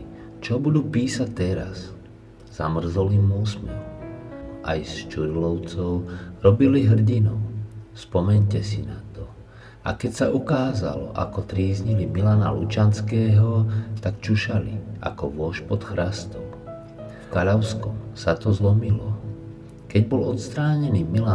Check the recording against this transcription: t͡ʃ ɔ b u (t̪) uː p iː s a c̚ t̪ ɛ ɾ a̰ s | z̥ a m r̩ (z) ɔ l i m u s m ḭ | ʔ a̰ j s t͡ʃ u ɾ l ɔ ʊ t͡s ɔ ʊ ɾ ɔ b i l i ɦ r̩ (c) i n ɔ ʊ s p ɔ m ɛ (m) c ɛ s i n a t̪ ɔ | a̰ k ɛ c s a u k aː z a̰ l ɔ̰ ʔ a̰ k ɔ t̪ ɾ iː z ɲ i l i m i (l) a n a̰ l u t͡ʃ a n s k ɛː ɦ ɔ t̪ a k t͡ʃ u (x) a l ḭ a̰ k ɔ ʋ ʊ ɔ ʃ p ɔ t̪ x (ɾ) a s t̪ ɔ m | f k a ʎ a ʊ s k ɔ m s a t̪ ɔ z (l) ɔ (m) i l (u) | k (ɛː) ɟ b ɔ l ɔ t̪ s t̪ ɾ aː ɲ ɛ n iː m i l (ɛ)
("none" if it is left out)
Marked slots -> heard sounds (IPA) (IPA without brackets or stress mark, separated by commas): d̪, z, ɟ, ɲ, l, ʃ, ɾ, l, m, ɔ, ɛ, a